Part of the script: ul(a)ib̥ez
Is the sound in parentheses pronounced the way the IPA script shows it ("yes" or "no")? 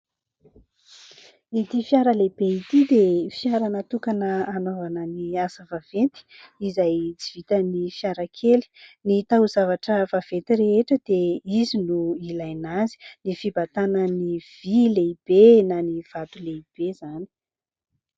no